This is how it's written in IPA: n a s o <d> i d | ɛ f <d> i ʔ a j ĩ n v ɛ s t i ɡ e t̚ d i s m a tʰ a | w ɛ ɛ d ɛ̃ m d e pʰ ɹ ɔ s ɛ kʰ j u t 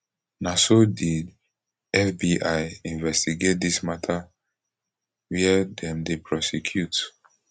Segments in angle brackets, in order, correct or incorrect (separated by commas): correct, incorrect